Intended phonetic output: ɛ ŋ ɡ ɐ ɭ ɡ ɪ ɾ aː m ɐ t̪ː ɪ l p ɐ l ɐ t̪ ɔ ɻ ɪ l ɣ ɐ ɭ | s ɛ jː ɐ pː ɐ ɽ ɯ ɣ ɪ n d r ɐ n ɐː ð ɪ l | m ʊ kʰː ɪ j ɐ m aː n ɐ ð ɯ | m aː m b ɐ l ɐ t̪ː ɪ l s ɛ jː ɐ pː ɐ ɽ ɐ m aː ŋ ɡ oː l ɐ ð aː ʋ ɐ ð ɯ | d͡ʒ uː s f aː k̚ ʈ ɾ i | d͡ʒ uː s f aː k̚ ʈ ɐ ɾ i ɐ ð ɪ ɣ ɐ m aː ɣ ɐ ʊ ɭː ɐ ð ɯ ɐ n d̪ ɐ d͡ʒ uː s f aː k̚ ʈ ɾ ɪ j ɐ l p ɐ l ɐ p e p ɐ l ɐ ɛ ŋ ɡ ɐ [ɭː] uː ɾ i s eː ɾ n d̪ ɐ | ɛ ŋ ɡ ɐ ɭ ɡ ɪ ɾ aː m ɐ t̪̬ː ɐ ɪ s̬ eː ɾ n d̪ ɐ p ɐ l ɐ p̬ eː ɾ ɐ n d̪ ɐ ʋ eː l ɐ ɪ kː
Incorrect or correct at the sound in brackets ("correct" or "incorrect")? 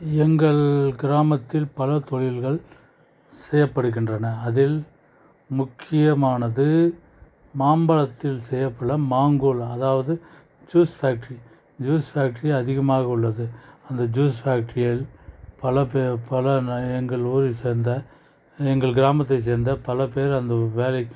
incorrect